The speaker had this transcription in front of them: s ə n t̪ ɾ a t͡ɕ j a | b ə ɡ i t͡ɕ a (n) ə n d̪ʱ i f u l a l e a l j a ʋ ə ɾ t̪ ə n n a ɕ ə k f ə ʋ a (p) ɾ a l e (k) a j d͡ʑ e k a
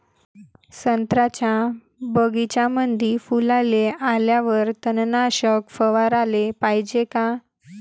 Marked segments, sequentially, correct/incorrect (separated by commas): incorrect, incorrect, incorrect